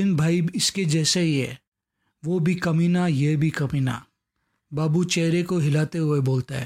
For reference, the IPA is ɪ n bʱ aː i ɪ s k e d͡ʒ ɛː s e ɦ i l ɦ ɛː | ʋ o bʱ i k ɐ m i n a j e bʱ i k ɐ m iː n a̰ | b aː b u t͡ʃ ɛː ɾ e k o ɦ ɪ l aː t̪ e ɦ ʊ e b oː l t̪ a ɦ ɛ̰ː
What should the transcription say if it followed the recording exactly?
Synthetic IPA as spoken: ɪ n bʱ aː i ɪ s k e d͡ʒ ɛː s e ɦ i ɦ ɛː | ʋ o bʱ i k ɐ m i n a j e bʱ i k ɐ m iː n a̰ | b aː b u t͡ʃ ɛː ɾ e k o ɦ ɪ l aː t̪ e ɦ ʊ e b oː l t̪ a ɦ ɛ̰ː